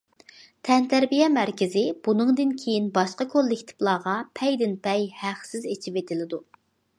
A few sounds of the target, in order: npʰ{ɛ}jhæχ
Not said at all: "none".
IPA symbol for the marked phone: ɛ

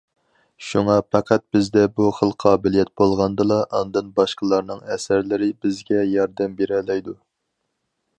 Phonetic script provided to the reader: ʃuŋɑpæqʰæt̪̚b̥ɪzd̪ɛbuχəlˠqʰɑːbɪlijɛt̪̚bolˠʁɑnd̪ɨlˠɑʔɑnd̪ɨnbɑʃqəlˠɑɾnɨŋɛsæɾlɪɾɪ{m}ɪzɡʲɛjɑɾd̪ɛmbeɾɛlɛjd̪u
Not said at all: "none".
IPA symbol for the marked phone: b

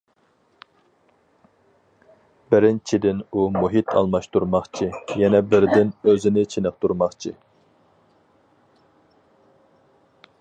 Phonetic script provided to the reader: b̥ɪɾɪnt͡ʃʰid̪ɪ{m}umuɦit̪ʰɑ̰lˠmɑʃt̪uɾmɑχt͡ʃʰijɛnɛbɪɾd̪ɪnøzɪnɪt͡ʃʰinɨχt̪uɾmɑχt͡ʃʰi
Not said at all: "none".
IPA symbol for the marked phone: n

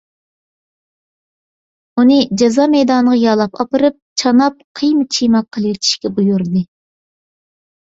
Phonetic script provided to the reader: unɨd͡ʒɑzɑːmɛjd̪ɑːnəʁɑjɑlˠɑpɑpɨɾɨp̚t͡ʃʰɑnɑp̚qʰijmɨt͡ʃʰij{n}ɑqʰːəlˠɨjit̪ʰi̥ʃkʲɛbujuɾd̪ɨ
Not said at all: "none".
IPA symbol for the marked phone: m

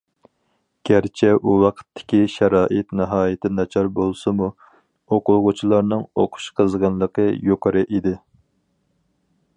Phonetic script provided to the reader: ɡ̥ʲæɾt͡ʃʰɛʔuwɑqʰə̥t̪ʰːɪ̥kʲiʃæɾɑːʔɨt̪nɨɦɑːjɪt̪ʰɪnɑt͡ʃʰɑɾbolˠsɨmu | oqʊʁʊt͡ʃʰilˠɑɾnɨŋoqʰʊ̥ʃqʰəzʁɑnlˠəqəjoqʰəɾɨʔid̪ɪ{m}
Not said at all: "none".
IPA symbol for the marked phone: none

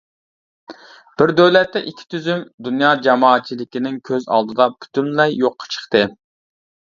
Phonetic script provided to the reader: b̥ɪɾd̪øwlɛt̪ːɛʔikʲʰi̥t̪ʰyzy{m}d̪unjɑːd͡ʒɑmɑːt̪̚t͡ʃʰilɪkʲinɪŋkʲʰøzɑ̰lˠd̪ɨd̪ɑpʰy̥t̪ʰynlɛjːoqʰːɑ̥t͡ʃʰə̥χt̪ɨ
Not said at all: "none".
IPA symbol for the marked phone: m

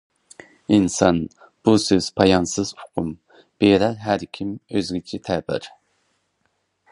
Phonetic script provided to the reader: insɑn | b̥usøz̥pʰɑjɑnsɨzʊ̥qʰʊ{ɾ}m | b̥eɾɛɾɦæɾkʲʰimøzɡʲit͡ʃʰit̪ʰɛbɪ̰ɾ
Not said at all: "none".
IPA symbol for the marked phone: none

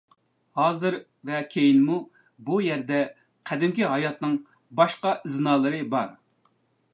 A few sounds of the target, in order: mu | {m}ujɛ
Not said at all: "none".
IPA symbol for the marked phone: b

